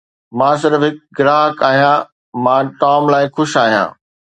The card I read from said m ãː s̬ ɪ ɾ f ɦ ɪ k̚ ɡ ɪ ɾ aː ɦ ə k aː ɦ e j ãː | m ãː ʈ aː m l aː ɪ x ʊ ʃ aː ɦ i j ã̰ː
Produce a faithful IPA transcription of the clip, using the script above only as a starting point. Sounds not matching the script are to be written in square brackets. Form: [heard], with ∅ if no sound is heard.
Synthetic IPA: m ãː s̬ ɪ ɾ f ɦ ɪ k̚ ɡ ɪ ɾ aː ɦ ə k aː ɦ [i] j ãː | m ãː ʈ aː m l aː ɪ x ʊ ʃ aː ɦ i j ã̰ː